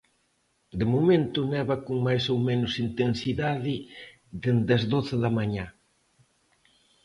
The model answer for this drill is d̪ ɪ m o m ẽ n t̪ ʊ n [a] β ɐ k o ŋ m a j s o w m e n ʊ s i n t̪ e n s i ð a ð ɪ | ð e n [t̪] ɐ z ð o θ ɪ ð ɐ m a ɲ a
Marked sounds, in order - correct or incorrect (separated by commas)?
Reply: incorrect, incorrect